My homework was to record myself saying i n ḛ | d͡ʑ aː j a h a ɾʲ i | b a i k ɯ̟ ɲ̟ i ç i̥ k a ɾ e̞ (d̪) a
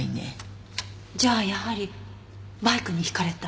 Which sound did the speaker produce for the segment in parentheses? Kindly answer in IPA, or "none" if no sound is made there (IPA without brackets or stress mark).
t̪